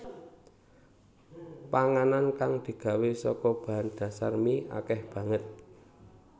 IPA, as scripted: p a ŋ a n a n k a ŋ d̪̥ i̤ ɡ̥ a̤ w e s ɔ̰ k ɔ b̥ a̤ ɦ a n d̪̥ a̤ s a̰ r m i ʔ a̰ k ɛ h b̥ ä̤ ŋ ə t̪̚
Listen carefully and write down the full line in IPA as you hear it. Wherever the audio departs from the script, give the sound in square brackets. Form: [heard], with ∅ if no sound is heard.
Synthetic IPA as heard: p a ŋ a n a n k a ŋ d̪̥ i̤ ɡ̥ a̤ w e s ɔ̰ k ɔ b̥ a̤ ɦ a n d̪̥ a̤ s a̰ r m i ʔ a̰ k ɛ h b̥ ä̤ ŋ ə t̪̚